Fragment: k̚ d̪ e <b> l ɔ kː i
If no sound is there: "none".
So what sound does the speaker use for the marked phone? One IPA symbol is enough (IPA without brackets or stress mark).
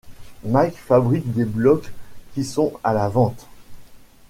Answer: b